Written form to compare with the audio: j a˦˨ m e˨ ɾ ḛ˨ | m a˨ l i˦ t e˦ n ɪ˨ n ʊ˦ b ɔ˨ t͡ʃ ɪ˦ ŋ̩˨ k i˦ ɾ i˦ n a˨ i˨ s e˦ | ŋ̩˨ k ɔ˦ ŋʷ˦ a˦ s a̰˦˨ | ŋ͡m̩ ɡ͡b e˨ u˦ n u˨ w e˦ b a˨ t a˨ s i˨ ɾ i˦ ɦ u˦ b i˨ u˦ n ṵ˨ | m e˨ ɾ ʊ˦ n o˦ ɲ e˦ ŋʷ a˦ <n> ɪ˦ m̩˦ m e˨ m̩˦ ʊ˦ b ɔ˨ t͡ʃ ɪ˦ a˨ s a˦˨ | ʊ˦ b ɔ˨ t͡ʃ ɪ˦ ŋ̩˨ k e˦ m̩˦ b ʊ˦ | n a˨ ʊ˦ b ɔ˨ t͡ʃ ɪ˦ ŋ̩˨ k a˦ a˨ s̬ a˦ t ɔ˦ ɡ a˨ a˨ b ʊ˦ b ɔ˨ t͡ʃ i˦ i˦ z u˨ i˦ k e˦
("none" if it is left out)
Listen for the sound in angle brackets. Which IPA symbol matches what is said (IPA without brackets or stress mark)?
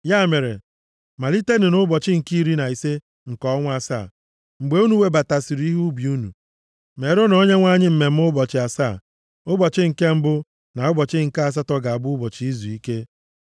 ɲ